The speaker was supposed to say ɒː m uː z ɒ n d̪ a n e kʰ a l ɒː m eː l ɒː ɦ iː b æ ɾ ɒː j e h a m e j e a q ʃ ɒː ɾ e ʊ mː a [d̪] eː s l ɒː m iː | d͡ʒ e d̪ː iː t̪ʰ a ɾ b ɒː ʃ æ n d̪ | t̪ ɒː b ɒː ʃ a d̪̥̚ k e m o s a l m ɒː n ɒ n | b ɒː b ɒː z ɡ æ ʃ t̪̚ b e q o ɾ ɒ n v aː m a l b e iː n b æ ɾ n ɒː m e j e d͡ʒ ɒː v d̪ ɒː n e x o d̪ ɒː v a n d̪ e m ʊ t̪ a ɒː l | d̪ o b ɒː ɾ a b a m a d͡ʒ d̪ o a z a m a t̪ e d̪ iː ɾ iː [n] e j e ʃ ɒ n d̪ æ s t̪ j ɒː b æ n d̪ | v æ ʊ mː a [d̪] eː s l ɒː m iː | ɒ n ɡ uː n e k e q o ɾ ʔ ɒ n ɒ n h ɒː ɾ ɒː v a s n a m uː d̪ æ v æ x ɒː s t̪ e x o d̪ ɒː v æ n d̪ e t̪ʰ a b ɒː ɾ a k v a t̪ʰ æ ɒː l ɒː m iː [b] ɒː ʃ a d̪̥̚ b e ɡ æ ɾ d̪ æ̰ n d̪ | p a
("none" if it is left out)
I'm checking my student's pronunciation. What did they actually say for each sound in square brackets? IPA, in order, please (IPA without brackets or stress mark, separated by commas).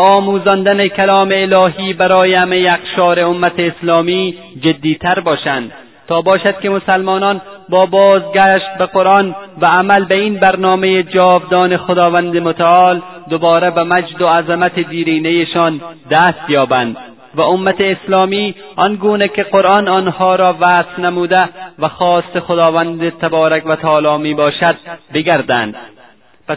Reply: t̪, n, t̪, b